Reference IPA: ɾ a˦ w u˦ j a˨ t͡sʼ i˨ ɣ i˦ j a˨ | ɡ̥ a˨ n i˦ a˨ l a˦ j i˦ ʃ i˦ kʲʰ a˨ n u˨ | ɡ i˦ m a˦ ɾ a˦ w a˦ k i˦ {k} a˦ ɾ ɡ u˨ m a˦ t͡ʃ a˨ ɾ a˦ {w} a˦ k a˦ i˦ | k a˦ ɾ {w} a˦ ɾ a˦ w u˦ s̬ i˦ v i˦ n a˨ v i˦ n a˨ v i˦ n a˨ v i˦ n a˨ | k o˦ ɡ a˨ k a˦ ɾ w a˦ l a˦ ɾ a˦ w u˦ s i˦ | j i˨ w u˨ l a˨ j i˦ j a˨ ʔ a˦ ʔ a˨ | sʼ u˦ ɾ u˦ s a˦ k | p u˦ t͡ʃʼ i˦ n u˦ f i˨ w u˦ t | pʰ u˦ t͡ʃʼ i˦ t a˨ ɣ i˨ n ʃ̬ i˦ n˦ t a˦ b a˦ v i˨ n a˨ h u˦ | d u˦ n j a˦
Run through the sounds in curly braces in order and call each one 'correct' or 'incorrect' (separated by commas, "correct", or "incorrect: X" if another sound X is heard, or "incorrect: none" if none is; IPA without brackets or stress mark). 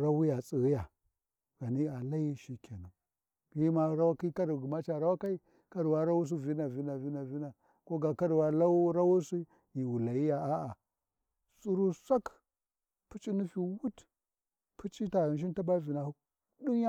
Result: correct, correct, correct